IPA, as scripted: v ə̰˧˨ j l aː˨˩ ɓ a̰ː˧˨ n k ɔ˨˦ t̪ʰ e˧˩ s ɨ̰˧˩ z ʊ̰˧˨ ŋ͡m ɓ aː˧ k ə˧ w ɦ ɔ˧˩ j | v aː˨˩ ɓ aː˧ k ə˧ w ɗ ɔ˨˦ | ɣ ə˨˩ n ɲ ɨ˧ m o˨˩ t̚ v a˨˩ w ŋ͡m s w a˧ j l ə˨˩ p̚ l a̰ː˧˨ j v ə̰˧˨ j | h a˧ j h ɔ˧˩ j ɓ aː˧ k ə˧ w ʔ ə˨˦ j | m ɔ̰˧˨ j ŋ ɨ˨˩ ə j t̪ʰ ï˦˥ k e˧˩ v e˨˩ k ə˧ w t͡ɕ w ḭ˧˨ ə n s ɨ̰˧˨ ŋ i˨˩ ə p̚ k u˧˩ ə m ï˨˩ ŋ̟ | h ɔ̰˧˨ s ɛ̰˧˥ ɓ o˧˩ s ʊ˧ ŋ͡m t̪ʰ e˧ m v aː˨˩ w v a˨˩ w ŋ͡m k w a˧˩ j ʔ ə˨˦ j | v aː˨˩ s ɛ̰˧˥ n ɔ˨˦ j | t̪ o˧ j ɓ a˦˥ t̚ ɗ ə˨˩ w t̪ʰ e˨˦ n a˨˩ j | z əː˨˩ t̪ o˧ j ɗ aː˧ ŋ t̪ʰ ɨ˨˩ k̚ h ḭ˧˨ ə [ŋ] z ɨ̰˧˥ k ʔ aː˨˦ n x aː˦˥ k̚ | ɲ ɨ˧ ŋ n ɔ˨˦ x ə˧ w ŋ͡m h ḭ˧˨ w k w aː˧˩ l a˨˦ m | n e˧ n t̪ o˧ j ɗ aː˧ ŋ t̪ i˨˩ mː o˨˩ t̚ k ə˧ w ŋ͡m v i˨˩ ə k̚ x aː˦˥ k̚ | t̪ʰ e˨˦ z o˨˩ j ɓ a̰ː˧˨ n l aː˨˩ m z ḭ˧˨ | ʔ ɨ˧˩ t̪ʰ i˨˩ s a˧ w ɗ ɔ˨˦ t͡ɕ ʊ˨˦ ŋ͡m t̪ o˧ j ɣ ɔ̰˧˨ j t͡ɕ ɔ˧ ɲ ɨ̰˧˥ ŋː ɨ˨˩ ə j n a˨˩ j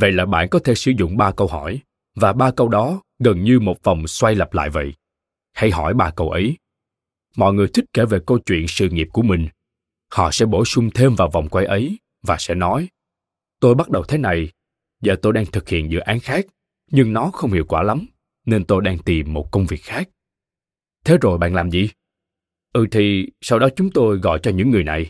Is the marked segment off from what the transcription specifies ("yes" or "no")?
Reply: yes